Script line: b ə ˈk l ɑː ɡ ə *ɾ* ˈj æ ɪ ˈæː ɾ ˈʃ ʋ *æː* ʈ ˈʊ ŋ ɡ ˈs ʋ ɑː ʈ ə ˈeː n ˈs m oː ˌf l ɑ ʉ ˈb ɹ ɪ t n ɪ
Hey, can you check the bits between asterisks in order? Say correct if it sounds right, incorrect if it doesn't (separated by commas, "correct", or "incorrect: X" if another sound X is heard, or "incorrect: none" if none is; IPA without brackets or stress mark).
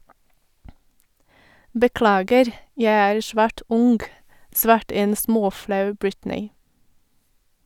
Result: correct, correct